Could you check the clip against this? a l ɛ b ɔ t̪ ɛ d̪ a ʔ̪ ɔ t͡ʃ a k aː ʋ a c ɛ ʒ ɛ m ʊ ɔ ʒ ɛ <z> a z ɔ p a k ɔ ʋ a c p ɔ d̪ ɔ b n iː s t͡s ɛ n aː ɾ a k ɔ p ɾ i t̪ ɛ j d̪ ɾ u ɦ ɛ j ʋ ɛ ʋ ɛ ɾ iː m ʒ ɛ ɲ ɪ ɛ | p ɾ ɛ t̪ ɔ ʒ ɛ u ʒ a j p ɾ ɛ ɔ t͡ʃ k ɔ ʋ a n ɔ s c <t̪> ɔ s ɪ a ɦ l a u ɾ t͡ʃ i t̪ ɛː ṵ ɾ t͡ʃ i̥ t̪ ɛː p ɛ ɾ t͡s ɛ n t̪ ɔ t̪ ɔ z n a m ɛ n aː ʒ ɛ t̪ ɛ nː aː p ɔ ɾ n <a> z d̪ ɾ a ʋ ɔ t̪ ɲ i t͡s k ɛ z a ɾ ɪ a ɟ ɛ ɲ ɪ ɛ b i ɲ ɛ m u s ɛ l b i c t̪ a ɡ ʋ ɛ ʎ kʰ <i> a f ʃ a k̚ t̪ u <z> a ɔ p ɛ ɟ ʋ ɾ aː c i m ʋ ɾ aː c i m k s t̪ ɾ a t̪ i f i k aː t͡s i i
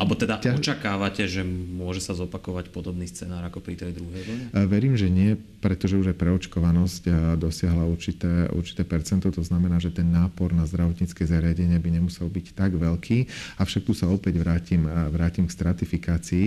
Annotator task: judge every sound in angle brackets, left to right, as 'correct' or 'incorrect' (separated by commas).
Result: incorrect, incorrect, correct, incorrect, incorrect